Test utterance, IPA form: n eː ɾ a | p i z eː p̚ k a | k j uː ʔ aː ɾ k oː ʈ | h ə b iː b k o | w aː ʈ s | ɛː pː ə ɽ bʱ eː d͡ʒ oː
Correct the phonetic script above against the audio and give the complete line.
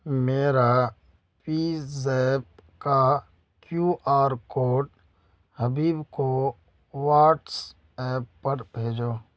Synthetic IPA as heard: m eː ɾ a | p i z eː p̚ k a | k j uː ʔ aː ɾ k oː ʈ | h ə b iː b k o | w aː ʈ s | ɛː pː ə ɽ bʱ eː d͡ʒ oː